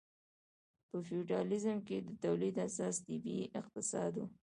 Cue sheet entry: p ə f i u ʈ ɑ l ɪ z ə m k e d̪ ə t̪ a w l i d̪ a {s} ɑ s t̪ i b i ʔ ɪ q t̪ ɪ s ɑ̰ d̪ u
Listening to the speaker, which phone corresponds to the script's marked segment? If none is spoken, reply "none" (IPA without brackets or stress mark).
s